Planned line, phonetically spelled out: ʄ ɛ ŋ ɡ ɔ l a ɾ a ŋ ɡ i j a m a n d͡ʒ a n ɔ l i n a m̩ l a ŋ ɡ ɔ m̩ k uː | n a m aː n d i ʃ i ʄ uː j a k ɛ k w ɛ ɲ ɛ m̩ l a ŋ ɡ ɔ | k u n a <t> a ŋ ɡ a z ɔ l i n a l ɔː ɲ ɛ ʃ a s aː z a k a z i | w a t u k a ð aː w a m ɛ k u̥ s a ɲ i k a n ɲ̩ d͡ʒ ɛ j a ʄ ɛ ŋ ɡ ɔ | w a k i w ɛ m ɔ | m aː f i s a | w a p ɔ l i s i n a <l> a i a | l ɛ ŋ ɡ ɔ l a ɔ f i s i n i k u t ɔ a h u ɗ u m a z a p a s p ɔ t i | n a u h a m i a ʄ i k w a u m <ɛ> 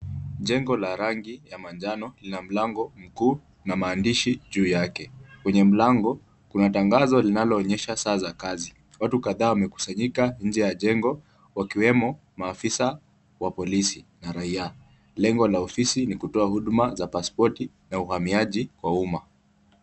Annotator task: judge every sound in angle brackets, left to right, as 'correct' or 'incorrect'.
correct, incorrect, incorrect

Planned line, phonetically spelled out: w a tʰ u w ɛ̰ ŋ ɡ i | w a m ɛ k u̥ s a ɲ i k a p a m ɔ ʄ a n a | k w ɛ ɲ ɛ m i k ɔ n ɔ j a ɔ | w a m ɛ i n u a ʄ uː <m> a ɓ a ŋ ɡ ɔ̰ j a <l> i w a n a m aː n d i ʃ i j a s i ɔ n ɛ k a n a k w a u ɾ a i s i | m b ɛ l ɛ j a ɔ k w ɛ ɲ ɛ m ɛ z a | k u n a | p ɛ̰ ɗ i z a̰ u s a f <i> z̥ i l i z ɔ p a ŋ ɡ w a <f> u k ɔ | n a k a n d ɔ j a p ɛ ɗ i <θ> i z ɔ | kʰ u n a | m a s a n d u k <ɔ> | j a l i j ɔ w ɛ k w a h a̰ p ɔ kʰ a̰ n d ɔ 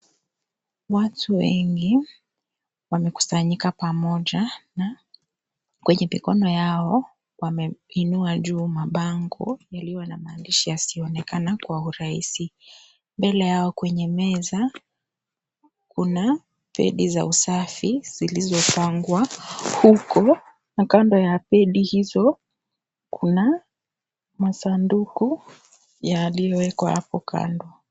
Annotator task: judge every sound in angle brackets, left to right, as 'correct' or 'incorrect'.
correct, correct, correct, incorrect, incorrect, incorrect

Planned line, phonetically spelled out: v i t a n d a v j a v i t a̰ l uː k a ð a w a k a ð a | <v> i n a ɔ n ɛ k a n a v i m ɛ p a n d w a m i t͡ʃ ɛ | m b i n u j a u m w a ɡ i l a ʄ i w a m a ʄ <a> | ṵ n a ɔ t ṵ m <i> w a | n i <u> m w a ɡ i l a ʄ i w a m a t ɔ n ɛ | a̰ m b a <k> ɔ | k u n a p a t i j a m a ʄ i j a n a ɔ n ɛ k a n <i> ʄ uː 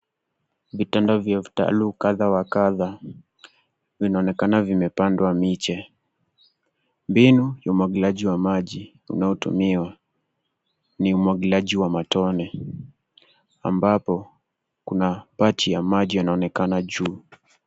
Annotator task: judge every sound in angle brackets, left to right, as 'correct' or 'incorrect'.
correct, incorrect, correct, correct, incorrect, incorrect

